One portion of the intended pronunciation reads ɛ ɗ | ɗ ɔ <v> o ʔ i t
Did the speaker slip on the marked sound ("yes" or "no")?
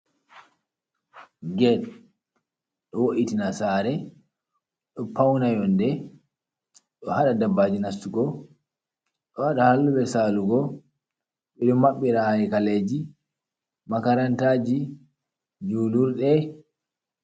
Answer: yes